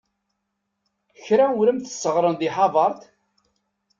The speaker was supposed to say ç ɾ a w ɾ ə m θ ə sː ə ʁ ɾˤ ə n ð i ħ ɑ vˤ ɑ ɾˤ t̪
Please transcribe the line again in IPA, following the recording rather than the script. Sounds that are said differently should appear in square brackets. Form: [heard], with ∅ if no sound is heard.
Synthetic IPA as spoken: ç ɾ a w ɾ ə m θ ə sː ə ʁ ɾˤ ə n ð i ħ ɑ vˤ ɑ ɾˤ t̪